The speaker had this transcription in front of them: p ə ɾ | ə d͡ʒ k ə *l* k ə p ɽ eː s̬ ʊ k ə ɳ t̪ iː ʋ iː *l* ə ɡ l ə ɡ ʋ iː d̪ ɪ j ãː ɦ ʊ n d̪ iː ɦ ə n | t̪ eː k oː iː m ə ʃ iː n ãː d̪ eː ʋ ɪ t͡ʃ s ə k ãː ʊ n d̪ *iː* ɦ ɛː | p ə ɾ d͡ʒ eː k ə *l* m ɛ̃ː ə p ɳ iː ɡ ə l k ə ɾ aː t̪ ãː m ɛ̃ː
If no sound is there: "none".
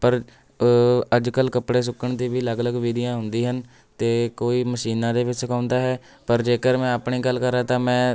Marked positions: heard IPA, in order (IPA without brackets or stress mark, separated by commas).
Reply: l, l, aː, ɾ